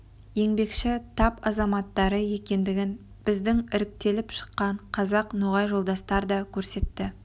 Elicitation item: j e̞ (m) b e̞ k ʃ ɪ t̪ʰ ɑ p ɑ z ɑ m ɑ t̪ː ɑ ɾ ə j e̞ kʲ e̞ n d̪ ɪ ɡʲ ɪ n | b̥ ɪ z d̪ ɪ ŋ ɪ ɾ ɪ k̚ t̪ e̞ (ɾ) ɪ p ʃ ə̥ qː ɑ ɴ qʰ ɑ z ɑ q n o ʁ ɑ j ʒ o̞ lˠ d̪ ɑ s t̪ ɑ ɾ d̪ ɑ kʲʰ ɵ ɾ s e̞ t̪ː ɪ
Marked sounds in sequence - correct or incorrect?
incorrect: ŋ, incorrect: l

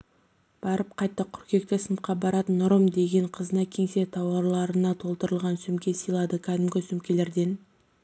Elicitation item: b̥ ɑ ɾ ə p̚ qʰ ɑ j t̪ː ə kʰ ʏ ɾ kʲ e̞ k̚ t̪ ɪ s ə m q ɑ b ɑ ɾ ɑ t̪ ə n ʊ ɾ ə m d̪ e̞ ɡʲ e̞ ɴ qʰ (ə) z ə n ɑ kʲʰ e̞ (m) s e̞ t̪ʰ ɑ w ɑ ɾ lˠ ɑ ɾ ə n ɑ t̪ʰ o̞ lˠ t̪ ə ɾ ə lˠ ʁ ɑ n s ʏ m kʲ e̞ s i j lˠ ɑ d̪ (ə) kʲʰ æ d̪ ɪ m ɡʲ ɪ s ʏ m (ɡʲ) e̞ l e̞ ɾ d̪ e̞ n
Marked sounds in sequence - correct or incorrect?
correct, incorrect: ŋ, correct, incorrect: kʲ

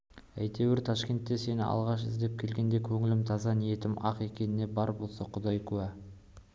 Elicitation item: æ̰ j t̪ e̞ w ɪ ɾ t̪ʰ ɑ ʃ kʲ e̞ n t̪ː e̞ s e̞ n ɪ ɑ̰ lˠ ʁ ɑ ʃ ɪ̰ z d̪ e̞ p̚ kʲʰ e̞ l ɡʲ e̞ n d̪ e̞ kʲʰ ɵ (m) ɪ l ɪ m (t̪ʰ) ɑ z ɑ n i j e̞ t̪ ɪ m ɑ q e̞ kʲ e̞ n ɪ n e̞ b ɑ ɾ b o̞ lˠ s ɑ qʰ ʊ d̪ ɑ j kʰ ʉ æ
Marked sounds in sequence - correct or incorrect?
incorrect: ŋ, correct

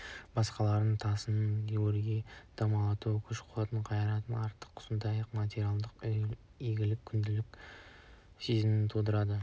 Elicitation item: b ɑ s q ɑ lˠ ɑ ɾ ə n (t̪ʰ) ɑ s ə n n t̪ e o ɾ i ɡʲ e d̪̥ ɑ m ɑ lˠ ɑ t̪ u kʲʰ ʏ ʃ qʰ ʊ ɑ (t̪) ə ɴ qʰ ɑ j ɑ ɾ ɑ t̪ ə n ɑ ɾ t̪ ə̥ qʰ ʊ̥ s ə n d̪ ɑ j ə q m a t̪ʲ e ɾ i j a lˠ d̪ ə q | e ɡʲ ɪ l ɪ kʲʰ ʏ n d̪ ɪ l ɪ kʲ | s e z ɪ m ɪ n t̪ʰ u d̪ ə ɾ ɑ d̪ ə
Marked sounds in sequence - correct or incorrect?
correct, correct

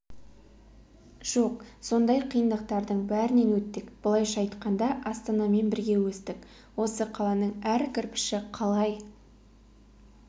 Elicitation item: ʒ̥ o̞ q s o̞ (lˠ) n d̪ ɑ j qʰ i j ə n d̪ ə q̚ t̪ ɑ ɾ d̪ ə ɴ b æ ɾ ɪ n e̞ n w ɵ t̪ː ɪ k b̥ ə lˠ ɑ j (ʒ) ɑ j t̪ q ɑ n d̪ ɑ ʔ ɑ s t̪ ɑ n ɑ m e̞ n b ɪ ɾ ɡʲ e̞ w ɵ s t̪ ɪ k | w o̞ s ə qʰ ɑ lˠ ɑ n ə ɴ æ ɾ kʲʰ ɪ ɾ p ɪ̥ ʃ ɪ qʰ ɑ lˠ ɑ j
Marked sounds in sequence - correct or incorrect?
incorrect: none, incorrect: ʃ

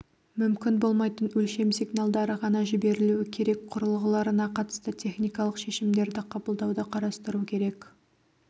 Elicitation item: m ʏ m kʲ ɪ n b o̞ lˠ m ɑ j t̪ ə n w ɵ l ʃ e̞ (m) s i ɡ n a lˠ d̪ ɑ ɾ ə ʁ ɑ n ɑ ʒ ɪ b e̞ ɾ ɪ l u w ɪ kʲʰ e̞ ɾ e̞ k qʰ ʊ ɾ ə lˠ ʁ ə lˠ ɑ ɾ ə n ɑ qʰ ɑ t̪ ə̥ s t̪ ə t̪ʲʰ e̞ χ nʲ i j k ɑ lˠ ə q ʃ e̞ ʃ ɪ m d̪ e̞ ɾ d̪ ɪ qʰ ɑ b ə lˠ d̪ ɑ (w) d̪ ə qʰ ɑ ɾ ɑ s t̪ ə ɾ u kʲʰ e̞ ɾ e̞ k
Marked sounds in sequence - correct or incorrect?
correct, correct

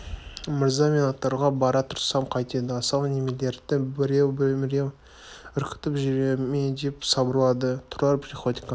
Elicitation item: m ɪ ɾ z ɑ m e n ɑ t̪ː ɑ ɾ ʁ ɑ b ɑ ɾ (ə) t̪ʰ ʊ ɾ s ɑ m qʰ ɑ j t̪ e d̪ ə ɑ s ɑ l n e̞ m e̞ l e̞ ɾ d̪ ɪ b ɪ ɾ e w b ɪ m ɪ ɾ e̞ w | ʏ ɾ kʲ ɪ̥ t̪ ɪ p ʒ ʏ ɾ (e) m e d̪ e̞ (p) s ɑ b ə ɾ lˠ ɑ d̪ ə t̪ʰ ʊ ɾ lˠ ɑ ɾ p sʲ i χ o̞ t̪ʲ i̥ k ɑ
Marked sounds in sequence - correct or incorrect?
incorrect: ɑ, correct, correct

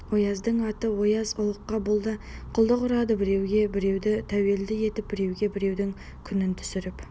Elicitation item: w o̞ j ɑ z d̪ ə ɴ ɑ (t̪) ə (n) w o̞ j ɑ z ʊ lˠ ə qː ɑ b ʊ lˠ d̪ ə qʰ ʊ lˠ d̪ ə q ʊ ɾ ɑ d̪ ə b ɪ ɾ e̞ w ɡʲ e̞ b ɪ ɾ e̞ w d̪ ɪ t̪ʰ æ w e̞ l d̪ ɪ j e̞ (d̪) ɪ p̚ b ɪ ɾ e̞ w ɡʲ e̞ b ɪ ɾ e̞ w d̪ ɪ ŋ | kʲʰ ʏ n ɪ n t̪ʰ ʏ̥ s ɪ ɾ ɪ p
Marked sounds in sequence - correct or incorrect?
correct, incorrect: none, incorrect: t̪

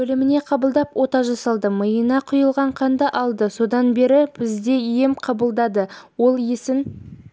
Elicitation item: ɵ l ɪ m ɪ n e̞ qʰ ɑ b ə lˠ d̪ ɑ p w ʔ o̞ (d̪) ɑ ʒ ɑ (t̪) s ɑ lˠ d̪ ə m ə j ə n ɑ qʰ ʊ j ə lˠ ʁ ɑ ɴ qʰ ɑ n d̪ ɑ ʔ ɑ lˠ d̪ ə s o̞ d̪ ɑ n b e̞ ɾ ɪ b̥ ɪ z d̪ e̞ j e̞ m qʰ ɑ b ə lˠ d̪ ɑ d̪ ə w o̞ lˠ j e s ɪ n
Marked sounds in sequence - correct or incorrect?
incorrect: t̪, incorrect: none

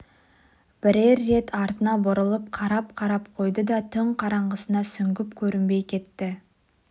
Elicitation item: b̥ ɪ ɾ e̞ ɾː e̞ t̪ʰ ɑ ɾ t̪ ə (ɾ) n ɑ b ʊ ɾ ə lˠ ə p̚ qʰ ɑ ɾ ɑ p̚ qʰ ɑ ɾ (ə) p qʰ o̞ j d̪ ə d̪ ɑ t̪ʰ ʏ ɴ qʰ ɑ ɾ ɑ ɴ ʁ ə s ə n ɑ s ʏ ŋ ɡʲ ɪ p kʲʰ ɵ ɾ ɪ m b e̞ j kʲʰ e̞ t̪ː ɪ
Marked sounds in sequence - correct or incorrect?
incorrect: none, incorrect: ɑ

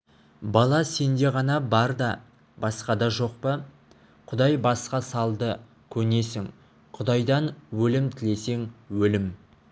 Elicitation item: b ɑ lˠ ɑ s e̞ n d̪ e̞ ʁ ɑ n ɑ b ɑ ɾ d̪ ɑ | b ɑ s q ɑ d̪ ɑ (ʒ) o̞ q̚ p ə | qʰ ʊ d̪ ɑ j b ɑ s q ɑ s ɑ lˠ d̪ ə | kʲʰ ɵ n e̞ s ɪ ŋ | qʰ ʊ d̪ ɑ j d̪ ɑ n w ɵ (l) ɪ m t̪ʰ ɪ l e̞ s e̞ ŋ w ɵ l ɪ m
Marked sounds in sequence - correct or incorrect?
correct, correct

